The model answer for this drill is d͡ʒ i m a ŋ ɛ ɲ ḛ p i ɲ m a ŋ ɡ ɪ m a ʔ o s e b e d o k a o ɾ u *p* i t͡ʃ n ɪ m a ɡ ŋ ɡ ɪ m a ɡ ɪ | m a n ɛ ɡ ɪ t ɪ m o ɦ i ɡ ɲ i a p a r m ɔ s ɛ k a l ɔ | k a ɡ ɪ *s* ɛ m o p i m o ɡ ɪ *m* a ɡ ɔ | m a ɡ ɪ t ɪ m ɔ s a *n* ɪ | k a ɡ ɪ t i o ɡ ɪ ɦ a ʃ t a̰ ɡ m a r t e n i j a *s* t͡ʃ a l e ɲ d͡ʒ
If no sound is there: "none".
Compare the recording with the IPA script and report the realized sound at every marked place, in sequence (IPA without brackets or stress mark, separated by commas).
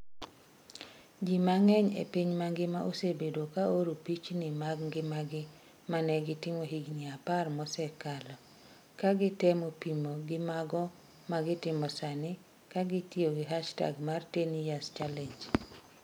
p, t, m, n, s